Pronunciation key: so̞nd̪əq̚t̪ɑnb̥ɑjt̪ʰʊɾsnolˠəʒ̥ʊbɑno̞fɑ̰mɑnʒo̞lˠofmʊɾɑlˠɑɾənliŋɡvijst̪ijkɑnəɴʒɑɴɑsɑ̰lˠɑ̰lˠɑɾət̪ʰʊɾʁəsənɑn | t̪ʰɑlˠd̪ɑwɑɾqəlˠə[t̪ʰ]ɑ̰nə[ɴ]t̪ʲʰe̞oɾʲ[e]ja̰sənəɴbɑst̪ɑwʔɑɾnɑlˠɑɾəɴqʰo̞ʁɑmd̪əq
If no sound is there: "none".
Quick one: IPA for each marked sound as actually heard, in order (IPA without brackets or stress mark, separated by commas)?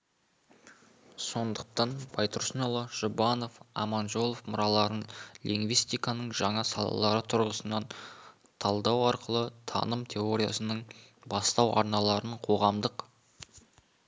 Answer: t̪ʰ, m, i